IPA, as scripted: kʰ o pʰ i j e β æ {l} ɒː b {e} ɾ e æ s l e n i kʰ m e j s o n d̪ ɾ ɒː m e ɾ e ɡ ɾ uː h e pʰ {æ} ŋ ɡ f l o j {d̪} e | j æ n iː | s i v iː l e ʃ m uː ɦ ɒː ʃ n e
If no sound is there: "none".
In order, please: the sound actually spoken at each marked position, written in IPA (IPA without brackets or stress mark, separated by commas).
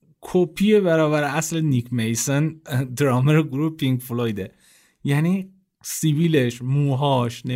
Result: ɾ, æ, i, d̪